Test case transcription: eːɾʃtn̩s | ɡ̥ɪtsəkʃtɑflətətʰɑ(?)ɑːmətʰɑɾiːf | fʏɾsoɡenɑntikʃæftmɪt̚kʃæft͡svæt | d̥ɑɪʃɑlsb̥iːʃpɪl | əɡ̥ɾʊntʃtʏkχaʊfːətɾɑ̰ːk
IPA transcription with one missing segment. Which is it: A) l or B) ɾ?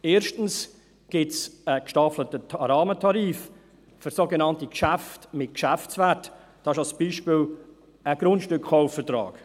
B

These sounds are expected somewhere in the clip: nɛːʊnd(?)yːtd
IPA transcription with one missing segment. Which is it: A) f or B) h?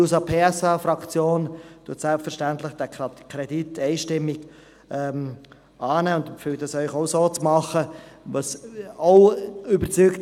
A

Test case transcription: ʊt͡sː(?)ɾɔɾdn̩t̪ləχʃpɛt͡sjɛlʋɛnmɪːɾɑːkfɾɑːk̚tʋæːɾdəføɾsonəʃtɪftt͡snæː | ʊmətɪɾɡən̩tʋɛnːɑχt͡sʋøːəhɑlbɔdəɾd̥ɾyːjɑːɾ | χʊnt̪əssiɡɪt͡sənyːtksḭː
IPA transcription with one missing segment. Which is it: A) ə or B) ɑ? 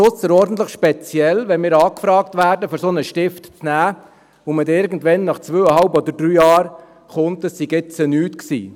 A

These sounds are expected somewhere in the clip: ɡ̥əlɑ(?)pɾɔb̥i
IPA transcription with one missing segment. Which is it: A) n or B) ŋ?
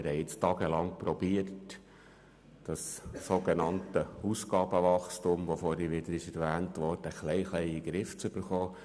B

